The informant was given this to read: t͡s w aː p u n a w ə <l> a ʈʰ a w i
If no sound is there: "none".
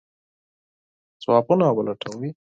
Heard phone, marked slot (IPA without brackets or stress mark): l